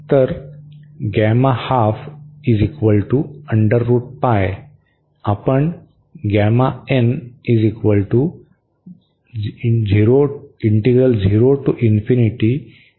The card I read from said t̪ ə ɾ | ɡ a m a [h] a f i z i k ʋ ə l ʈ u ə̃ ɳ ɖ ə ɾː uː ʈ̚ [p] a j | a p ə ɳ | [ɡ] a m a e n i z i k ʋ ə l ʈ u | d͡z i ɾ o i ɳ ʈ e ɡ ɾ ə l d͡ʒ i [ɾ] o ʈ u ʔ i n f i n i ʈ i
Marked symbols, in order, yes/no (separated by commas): yes, yes, yes, yes